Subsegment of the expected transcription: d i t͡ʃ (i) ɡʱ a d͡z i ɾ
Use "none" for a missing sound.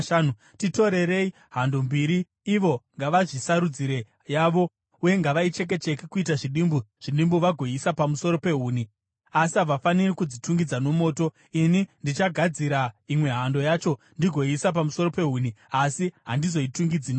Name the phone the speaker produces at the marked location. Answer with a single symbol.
a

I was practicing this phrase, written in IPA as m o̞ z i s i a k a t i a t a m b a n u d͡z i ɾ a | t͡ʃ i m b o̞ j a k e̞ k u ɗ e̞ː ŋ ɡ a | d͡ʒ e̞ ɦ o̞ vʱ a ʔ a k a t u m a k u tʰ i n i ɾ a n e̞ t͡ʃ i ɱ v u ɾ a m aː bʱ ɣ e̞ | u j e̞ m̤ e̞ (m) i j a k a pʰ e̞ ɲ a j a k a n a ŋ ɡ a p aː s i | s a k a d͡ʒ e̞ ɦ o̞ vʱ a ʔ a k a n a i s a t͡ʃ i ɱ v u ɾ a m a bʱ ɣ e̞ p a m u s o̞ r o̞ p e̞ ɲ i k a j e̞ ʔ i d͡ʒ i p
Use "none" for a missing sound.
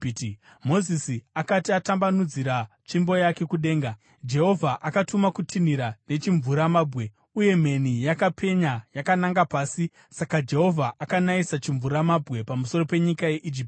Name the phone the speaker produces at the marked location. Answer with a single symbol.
n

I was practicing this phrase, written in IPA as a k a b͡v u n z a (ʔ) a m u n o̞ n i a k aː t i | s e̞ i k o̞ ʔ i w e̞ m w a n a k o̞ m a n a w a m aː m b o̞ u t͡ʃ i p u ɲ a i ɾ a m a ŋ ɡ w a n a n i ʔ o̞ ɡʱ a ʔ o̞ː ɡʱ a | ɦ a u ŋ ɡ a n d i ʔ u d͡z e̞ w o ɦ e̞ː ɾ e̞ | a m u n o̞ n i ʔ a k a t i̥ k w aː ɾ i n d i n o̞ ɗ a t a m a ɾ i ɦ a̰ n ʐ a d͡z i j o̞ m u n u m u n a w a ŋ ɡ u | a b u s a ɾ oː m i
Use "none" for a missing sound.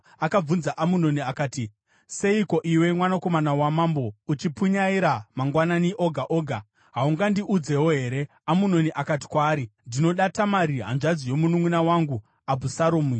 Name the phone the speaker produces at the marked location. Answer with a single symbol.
ʔ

